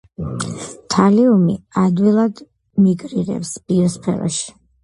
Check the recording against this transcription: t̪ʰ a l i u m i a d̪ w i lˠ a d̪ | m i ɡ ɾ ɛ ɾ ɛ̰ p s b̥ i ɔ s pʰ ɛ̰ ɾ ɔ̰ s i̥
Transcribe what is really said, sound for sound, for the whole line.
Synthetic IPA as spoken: t̪ʰ a l i u m i a d̪ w i lˠ a d̪ | m i ɡ ɾ i ɾ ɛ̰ p s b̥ i ɔ s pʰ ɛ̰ ɾ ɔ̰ ʃ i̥